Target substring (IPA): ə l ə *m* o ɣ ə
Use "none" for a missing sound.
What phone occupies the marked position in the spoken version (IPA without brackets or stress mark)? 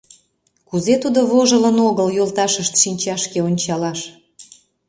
n